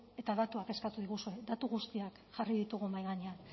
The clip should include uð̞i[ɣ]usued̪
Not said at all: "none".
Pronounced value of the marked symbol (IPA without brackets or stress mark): ɣ